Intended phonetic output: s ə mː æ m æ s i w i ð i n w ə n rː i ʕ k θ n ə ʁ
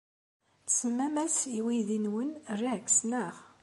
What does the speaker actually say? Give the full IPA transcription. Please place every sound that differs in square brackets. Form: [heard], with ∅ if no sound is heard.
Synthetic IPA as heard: s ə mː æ m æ s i w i ð i n w ə n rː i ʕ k [s] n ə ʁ